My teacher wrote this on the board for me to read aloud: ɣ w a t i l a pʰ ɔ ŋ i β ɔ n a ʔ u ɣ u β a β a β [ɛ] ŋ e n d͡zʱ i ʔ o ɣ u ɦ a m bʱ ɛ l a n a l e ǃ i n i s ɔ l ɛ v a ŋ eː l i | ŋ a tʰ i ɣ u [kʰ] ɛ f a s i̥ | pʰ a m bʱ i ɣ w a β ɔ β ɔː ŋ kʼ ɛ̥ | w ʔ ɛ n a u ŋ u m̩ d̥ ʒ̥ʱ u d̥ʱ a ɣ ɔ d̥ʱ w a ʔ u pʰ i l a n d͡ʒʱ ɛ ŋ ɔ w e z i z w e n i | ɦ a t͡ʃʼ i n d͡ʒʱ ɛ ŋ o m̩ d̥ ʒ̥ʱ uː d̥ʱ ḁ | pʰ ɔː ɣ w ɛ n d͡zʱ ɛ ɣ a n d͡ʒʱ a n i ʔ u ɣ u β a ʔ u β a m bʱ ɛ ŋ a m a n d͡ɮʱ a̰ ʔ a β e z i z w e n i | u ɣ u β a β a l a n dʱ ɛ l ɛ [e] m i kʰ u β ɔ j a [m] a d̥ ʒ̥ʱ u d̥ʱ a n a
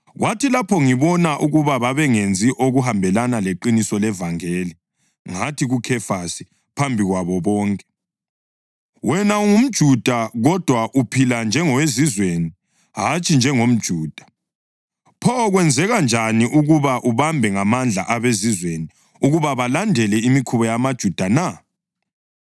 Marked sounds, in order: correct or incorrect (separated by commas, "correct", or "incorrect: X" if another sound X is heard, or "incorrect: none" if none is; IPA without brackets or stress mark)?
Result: correct, correct, incorrect: i, correct